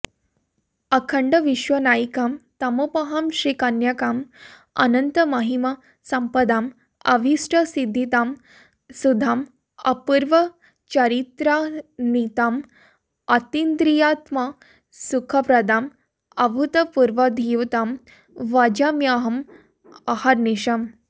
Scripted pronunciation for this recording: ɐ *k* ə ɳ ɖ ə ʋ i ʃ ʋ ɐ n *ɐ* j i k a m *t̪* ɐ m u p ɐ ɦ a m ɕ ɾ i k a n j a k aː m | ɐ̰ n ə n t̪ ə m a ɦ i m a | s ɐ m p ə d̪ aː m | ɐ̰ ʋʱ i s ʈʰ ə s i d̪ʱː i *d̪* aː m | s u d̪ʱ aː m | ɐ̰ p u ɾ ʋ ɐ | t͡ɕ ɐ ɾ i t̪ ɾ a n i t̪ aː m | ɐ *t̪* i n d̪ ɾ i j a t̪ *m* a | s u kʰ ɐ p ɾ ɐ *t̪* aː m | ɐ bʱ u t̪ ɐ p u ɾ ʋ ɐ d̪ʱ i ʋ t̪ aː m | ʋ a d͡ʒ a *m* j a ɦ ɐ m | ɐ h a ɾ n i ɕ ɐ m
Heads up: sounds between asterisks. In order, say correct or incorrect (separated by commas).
incorrect, incorrect, correct, incorrect, correct, correct, incorrect, correct